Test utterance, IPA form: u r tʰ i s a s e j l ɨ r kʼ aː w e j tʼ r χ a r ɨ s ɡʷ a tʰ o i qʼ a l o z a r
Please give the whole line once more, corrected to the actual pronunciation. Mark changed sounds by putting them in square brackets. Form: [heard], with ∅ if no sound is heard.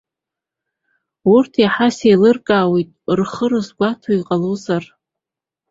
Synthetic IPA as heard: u r tʰ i [ħ] a s e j l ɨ r kʼ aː w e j tʼ r χ [ə] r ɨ [z] ɡʷ a tʰ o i qʼ a l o z a r